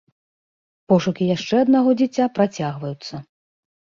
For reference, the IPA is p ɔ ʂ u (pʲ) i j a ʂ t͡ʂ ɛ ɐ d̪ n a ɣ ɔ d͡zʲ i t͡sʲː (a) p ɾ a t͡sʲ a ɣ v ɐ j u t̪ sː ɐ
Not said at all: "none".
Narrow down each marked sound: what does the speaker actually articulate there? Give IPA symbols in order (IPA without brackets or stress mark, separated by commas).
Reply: kʲ, a